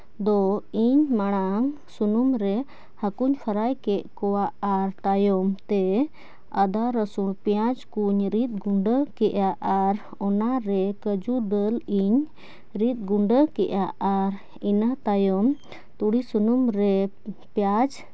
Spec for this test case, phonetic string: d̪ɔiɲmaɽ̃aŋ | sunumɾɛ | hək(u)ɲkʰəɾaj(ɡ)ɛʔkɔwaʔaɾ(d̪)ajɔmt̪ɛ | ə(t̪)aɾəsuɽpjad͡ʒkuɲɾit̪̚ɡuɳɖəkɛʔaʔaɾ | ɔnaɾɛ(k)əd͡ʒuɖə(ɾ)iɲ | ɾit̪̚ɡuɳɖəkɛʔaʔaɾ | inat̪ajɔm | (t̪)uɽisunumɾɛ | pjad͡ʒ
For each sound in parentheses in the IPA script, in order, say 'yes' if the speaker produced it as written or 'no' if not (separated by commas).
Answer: yes, no, no, no, yes, no, yes